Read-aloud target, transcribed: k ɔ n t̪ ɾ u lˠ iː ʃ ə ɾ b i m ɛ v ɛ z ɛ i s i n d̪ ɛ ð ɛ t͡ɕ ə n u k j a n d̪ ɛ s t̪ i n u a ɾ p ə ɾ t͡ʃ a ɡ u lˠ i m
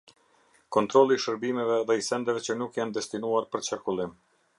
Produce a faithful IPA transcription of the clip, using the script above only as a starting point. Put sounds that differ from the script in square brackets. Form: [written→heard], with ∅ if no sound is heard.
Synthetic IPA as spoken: k ɔ n t̪ ɾ [u→ɔ] lˠ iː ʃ ə ɾ b i m ɛ v ɛ [z→ð] ɛ i s [i→ɛ] n d̪ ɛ [ð→v] ɛ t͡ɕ ə n u k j a n d̪ ɛ s t̪ i n u a ɾ p ə ɾ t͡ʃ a [ɡ→k] u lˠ i m